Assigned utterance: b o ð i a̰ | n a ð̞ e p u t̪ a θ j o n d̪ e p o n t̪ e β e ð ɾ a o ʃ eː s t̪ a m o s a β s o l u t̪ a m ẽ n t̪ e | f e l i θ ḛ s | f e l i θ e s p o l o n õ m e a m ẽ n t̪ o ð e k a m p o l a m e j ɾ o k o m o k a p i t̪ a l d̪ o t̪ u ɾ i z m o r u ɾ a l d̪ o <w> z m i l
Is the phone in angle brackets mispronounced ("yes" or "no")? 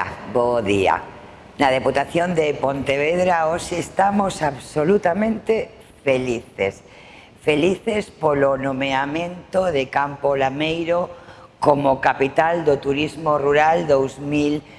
no